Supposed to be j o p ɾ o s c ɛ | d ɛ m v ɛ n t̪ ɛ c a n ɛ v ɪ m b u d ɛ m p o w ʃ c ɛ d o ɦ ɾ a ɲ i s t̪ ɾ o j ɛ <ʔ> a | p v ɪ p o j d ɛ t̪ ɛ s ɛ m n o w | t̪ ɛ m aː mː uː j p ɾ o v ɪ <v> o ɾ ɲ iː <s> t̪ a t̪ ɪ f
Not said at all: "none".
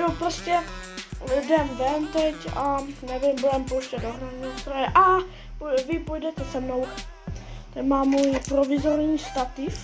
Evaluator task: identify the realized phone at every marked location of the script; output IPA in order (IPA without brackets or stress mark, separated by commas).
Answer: ʔ, z, s